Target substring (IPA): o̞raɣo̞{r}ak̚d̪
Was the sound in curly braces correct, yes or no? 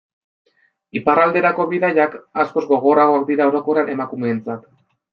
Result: no